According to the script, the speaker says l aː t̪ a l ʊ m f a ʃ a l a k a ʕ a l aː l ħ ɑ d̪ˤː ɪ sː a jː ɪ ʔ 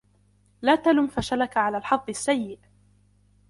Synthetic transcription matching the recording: l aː t̪ a l ʊ m f a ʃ a l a k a ʕ a l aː l ħ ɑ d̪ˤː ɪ sː a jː ɪ ʔ